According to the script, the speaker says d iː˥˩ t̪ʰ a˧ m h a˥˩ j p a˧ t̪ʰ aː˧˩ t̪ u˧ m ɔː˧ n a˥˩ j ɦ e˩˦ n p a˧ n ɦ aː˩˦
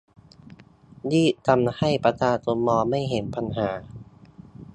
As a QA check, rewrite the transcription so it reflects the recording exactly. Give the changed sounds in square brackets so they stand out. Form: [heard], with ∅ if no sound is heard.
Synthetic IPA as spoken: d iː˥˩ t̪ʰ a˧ m h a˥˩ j p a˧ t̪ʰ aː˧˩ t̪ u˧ m ɔː˧ [m] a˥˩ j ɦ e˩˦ n p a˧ n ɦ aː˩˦